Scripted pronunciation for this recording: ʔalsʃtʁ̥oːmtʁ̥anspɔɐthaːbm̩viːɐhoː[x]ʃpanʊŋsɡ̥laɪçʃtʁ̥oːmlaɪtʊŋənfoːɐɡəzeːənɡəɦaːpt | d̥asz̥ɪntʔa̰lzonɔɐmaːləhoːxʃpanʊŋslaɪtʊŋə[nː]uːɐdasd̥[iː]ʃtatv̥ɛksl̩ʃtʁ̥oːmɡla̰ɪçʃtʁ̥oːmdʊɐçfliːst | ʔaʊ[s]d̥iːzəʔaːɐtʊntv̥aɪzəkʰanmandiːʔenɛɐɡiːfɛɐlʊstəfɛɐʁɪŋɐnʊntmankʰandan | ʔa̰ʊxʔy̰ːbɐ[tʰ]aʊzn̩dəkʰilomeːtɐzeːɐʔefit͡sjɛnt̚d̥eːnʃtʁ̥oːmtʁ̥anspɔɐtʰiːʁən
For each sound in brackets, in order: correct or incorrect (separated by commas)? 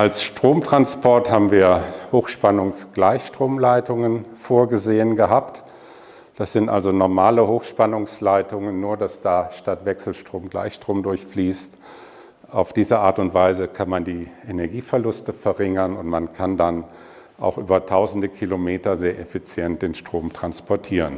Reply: correct, correct, incorrect, incorrect, correct